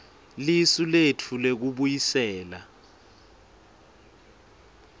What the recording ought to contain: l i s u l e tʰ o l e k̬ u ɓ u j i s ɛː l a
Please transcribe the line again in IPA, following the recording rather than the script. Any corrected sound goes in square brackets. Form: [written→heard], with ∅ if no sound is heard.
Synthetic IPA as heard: l i s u l e tʰ [o→u] l e k̬ u ɓ u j i s ɛː l a